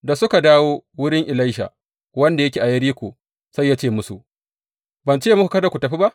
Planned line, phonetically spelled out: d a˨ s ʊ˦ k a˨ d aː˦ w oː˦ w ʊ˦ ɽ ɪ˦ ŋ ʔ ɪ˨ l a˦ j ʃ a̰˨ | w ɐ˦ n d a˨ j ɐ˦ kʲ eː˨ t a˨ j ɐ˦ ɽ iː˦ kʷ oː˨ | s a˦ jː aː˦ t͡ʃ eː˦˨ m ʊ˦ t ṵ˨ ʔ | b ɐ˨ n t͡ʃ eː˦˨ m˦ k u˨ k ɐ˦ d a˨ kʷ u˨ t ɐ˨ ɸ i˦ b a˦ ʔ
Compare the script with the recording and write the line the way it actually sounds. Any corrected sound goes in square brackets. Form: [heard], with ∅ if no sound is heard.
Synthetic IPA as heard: d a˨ s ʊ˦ k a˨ d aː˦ w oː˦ w ʊ˦ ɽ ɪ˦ ŋ ʔ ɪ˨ l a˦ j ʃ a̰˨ | w ɐ˦ n d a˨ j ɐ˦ kʲ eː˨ [ʔ] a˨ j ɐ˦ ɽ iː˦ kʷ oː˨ | s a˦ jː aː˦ t͡ʃ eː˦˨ m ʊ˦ [s] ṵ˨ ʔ | b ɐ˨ n t͡ʃ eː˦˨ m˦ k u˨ k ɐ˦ d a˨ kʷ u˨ t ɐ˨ ɸ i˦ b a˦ ʔ